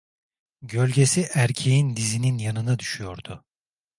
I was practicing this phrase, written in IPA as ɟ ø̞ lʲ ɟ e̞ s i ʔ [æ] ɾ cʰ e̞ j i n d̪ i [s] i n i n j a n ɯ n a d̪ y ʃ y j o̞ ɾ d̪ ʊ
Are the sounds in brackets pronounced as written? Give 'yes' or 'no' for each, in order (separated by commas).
yes, no